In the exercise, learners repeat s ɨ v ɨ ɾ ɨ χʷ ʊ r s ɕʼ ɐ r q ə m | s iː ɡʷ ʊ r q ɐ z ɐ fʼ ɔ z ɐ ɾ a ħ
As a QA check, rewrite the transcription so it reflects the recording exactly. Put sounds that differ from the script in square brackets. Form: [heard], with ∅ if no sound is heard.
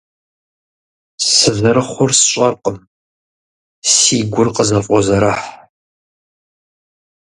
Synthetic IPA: s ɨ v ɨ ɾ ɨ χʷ ʊ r s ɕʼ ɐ r q ə m | s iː ɡʷ ʊ r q [ə] z ɐ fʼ ɔ z ɐ ɾ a ħ

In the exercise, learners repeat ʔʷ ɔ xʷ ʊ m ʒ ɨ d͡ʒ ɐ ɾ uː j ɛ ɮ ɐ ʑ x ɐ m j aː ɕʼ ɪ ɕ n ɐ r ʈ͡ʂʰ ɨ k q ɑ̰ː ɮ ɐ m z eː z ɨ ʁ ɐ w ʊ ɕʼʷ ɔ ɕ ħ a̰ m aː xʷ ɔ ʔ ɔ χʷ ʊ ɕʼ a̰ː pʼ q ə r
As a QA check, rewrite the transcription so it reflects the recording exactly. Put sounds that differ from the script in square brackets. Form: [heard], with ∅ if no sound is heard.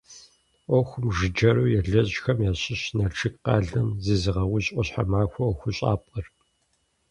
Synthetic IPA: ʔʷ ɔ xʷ ʊ m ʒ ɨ d͡ʒ ɐ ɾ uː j ɛ ɮ ɐ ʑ x ɐ m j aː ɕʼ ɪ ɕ n ɐ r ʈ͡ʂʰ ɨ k q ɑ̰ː ɮ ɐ m z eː z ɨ ʁ ɐ w ʊ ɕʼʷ ɔ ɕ ħ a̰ m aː xʷ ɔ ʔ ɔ [xʷ] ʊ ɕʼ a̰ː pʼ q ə r

